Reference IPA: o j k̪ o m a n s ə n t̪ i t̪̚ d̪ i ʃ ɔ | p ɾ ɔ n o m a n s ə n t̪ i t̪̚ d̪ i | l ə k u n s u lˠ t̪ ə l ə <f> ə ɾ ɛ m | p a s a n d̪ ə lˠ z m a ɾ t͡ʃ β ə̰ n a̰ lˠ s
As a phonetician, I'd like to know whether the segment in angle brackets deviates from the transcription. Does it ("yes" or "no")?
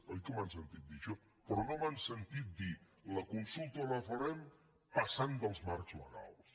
no